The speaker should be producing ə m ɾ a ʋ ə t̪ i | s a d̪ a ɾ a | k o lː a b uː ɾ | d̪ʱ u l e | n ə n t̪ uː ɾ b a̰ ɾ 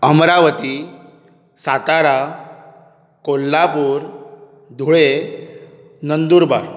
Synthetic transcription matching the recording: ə m ɾ a ʋ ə t̪ i | s a t̪ a ɾ a | k o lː a p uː ɾ | d̪ʱ u ɭ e | n ə n d̪ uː ɾ b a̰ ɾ